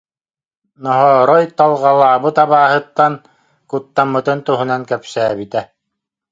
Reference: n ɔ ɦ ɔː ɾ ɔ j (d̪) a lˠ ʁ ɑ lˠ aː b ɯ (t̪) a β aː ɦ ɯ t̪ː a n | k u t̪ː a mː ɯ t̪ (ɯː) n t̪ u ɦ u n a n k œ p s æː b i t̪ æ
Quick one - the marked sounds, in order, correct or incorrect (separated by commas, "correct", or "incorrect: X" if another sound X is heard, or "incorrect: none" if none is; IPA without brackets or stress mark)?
incorrect: t̪, correct, incorrect: ɯ